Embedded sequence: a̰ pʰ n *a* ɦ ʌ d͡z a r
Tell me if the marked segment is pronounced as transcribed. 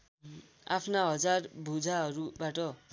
yes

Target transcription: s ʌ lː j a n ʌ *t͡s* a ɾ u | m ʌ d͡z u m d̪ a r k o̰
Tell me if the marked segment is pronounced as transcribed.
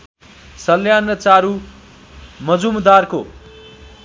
yes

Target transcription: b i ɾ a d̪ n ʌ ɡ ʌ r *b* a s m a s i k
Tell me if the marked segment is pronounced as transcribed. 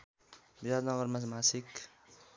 no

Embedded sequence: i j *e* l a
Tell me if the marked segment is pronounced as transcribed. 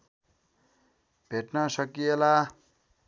yes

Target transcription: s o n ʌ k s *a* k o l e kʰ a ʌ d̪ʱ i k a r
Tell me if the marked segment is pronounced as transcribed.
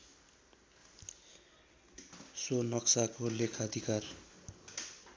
yes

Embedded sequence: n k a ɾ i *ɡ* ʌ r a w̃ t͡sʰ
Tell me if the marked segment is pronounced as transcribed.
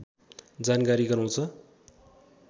yes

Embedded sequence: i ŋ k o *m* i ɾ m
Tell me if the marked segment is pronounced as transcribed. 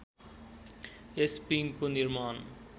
no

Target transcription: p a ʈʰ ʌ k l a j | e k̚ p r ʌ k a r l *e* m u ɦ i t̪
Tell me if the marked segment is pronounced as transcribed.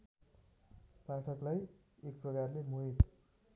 yes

